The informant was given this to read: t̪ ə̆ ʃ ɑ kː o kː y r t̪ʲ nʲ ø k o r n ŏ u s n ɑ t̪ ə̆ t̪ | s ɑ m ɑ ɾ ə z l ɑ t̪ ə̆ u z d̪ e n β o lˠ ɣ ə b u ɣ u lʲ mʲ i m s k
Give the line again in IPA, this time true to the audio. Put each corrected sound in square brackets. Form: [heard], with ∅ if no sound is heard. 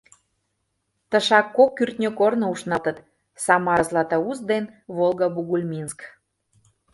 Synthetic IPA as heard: t̪ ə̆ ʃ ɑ kː o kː y r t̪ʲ nʲ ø k o r n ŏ u [ʃ] n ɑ t̪ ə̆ t̪ | s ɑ m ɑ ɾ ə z l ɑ t̪ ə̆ u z d̪ e n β o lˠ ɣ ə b u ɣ u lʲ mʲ i [n] s k